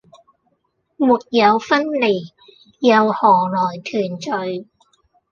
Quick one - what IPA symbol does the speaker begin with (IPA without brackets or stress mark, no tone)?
m